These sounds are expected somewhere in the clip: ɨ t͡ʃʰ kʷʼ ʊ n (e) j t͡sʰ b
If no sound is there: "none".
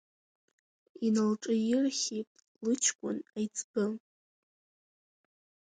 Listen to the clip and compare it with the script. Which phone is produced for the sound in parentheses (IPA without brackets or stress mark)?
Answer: a